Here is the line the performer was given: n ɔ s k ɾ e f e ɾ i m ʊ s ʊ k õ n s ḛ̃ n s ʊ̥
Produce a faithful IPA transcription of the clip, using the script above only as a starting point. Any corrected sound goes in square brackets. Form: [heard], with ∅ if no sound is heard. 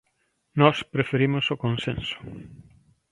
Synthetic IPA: n ɔ s [p] ɾ e f e ɾ i m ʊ s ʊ k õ n s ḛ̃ n s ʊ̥